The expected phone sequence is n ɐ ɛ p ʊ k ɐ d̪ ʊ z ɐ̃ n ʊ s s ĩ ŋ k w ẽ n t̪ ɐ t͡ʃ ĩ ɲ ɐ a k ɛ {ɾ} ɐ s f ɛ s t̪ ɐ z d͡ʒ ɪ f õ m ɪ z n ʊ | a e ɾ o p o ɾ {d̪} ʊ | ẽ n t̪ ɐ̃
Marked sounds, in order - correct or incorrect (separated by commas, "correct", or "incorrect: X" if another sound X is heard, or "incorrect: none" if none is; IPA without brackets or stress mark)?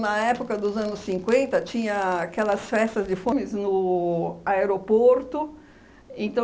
incorrect: l, incorrect: t̪